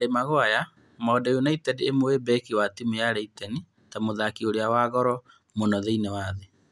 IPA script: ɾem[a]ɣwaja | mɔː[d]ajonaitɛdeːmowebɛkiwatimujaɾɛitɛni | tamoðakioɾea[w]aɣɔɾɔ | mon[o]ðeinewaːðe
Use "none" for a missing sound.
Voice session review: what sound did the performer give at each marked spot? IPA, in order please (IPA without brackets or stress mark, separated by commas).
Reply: a, d, w, ɔ